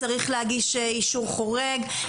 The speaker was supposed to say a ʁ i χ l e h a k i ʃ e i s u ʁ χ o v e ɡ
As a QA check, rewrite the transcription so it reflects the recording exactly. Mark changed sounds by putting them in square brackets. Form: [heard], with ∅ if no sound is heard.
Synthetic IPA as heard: a ʁ i χ l e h a [ɡ] i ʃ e i [ʃ] u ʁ χ o [ʁ] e ɡ